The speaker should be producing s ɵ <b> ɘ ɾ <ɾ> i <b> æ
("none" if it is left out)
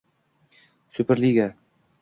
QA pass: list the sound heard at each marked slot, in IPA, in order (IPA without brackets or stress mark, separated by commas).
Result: p, l, ɡ